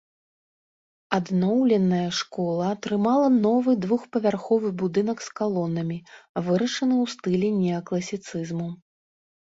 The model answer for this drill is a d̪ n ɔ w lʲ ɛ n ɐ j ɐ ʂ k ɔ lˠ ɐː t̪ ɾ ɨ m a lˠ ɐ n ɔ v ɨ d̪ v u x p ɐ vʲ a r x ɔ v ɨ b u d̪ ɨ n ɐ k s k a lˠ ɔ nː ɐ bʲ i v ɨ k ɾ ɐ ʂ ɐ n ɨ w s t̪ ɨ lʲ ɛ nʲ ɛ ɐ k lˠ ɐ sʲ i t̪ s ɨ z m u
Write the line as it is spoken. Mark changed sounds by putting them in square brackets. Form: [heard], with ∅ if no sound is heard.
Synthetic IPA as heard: a d̪ n ɔ w lʲ ɛ n ɐ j ɐ ʂ k ɔ lˠ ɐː t̪ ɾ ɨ m a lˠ ɐ n ɔ v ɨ d̪ v u x p ɐ vʲ a r x ɔ v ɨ b u d̪ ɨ n ɐ k s k a lˠ ɔ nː ɐ [mʲ] i v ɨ [∅] ɾ ɐ ʂ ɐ n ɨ w s t̪ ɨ lʲ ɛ nʲ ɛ ɐ k lˠ ɐ sʲ i t̪ s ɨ z m u